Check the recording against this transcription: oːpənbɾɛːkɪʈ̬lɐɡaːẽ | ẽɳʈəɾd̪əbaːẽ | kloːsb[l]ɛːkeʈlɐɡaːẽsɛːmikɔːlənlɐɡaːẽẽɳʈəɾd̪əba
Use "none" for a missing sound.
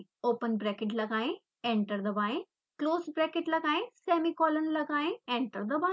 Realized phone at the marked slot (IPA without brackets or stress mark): ɾ